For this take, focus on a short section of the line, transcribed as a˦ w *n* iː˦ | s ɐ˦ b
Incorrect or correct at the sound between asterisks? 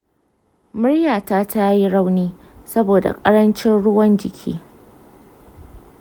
correct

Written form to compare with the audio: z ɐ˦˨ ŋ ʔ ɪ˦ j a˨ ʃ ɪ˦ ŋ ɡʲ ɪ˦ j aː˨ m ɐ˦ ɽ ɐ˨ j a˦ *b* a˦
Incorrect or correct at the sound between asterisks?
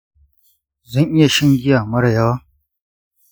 incorrect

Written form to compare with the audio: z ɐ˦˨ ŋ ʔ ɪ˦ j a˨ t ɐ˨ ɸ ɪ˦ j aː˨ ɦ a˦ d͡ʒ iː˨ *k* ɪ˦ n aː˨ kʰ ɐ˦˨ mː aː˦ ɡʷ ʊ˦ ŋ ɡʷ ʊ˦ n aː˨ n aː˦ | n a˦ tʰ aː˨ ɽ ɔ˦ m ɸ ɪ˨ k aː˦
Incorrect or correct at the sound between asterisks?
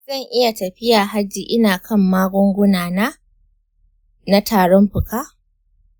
incorrect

